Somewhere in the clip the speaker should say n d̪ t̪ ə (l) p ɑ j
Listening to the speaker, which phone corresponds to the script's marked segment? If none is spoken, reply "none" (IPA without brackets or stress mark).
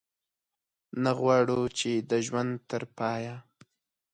ɾ